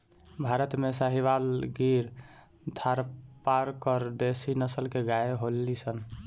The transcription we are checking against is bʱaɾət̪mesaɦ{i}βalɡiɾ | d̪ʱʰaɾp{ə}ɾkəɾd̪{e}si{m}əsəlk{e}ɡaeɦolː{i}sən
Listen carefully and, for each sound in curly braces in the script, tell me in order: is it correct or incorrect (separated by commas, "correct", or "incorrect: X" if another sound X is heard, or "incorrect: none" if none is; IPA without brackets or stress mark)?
correct, incorrect: a, correct, incorrect: n, correct, correct